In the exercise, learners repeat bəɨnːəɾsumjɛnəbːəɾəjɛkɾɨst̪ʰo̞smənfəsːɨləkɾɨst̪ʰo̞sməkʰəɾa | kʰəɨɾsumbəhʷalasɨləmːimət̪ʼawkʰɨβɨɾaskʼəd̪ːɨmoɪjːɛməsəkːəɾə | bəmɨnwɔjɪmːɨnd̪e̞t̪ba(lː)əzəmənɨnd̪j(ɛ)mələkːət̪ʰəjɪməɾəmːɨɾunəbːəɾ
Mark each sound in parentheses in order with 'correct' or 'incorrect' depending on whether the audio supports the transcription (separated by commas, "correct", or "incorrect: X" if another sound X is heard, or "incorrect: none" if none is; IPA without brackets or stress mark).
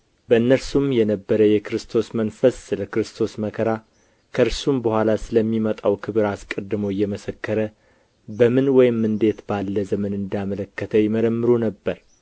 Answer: correct, incorrect: a